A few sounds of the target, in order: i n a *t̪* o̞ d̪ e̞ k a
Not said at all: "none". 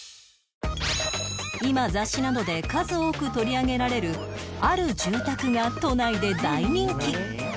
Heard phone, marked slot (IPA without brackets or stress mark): d̪